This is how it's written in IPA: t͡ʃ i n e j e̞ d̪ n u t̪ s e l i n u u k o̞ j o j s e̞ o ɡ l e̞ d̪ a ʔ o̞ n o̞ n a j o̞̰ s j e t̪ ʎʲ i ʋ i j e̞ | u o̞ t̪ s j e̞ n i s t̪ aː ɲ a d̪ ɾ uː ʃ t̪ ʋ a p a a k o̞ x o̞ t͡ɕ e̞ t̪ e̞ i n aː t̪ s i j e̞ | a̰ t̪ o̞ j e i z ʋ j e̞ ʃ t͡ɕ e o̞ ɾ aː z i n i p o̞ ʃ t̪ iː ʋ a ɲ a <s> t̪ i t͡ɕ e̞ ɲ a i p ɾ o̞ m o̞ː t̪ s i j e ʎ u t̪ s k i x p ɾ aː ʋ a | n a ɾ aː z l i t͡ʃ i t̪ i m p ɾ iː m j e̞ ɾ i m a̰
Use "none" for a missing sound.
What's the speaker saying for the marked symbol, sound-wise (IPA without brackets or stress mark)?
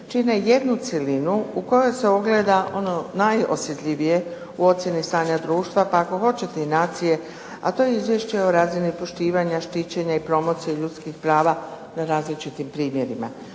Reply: ʃ